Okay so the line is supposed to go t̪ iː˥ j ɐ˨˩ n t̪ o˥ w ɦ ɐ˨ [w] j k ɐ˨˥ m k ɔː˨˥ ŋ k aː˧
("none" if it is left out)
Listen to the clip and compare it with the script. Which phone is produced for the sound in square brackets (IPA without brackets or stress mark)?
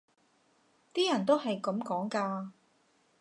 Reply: none